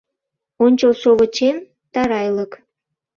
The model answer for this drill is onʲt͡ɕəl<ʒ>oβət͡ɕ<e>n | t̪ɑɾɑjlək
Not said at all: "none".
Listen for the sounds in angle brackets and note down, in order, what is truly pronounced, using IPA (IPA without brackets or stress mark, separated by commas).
ʃ, e